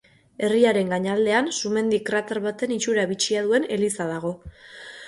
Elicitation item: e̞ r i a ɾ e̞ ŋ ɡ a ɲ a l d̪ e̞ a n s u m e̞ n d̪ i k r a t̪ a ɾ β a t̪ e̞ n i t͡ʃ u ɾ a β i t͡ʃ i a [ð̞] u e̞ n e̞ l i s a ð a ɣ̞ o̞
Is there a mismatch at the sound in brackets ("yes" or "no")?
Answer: no